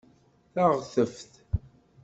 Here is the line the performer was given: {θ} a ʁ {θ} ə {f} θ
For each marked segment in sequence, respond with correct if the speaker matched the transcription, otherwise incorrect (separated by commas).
correct, correct, correct